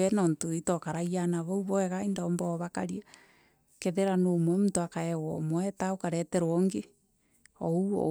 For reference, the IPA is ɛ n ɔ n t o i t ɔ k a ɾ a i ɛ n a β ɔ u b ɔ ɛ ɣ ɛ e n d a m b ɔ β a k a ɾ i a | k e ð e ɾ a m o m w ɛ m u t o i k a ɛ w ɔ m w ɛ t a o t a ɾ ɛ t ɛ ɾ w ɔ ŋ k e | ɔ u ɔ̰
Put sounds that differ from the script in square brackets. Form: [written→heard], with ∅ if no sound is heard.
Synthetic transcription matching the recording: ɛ n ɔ n t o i t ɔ k a ɾ a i [ɛ→a] n a β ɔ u [b→β] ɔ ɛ ɣ [ɛ→a] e n d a m b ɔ β a k a ɾ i a | k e ð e ɾ a [m→n] o m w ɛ m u t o [i→a] k a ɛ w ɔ m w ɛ t a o [t→k] a ɾ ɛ t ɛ ɾ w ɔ ŋ [k→ɡ] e | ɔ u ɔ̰